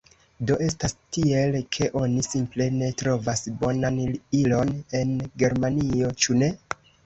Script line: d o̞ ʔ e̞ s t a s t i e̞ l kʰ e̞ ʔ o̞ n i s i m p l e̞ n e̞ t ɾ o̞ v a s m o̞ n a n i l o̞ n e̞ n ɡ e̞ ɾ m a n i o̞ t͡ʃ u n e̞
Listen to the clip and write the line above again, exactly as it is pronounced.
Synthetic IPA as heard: d o̞ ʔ e̞ s t a s t i e̞ l kʰ e̞ ʔ o̞ n i s i m p l e̞ n e̞ t ɾ o̞ v a s b o̞ n a n i l o̞ n e̞ n ɡ e̞ ɾ m a n i o̞ t͡ʃ u n e̞